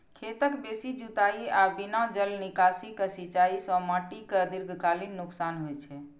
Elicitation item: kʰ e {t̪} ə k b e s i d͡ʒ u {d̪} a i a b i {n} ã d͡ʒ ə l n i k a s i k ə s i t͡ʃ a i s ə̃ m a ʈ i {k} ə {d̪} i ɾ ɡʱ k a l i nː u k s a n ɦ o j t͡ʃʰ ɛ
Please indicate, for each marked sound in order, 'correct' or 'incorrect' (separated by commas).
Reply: correct, incorrect, correct, correct, correct